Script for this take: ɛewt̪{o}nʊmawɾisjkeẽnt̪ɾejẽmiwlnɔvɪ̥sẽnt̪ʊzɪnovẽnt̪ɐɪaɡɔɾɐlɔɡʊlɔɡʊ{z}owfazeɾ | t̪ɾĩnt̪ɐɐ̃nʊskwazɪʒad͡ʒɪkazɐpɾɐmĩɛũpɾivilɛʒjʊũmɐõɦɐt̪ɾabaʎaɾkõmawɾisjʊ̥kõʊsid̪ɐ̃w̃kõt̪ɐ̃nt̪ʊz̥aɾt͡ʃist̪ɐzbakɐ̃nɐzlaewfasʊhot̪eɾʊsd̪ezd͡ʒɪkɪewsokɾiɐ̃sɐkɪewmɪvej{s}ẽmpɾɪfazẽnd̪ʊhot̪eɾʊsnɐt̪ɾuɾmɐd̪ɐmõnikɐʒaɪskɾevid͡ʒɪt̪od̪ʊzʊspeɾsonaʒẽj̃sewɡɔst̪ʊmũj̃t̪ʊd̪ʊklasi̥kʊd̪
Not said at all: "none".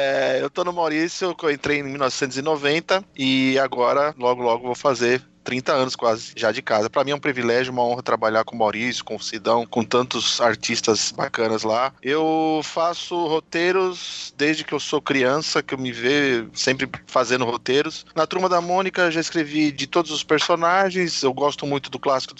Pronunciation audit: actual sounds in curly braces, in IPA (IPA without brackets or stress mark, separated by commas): o, v, s